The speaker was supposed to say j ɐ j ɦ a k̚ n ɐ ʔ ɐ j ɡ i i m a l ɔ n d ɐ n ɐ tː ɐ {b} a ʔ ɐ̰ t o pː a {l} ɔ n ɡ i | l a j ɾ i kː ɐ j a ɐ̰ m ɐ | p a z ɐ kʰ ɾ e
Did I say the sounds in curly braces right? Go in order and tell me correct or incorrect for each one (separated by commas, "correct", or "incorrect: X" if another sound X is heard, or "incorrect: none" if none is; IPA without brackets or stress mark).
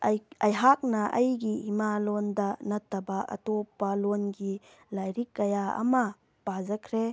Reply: correct, correct